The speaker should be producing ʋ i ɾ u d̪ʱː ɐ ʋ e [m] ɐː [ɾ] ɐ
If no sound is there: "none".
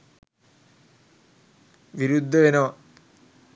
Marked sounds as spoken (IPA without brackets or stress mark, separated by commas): n, none